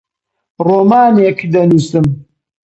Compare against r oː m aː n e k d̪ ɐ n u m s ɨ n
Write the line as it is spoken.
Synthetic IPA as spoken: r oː m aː n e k d̪ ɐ n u s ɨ m